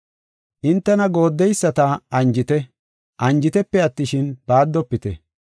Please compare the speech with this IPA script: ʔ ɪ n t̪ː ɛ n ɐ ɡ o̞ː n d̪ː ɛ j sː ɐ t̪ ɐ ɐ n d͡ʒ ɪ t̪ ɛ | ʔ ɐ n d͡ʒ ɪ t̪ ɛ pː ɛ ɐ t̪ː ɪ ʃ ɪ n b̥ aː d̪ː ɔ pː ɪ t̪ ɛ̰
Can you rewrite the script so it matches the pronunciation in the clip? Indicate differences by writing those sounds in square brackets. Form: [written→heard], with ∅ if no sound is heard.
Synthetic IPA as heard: ʔ ɪ n t̪ː ɛ n ɐ ɡ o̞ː [n→∅] d̪ː ɛ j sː ɐ t̪ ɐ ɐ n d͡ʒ ɪ t̪ ɛ | ʔ ɐ n d͡ʒ ɪ t̪ ɛ pː ɛ ɐ t̪ː ɪ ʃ ɪ n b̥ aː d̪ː ɔ pː ɪ t̪ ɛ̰